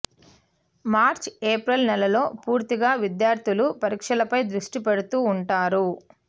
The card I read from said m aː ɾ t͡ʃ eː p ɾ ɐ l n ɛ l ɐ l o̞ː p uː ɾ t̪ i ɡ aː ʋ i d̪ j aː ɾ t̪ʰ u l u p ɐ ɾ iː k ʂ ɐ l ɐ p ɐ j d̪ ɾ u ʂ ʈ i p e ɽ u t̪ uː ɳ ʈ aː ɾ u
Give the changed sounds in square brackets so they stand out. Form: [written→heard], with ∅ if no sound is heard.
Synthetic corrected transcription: m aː ɾ t͡ʃ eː p ɾ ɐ l n ɛ l ɐ l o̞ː p uː ɾ t̪ i ɡ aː ʋ i d̪ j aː ɾ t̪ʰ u l u p ɐ ɾ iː k ʂ ɐ l ɐ p ɐ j d̪ ɾ u ʂ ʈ i p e ɽ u t̪ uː ɳ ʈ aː ɾ u

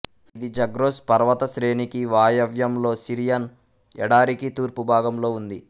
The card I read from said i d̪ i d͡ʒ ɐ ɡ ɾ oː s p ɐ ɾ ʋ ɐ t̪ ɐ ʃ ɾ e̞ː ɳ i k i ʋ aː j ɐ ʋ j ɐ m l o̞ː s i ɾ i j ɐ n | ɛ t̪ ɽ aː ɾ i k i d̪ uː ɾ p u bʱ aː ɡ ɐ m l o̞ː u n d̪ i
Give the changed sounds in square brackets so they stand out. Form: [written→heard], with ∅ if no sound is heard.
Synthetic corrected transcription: i d̪ i d͡ʒ ɐ ɡ ɾ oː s p ɐ ɾ ʋ ɐ t̪ ɐ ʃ ɾ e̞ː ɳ i k i ʋ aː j ɐ ʋ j ɐ m l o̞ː s i ɾ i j ɐ n | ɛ [t̪→∅] ɽ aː ɾ i k i [d̪→t̪] uː ɾ p u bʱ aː ɡ ɐ m l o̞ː u n d̪ i

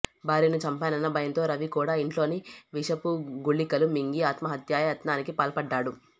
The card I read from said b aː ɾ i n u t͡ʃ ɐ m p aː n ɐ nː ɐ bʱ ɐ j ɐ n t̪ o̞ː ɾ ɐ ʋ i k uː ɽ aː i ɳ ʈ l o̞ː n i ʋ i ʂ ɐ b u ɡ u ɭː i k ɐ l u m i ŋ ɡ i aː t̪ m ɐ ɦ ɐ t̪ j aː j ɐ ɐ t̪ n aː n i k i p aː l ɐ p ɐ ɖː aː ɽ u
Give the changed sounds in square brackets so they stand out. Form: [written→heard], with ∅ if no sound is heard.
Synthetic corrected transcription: b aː ɾ i n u t͡ʃ ɐ m p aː n ɐ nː ɐ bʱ ɐ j ɐ n t̪ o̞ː ɾ ɐ ʋ i k uː ɽ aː i ɳ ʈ l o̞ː n i ʋ i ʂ ɐ [b→p] u ɡ u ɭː i k ɐ l u m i ŋ ɡ i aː t̪ m ɐ ɦ ɐ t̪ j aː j ɐ ɐ t̪ n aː n i k i p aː l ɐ p ɐ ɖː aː ɽ u

